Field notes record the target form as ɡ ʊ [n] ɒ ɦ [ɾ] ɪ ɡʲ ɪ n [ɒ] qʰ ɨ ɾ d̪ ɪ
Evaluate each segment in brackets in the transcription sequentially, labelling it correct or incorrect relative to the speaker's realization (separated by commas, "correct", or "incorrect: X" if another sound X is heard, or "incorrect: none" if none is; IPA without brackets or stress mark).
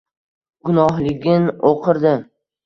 correct, incorrect: l, incorrect: o